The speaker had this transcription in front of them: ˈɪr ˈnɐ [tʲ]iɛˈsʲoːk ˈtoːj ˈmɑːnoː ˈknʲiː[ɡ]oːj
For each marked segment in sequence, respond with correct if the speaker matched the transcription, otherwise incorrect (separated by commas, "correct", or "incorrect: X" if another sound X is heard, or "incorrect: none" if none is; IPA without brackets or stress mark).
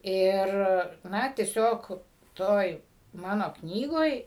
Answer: correct, correct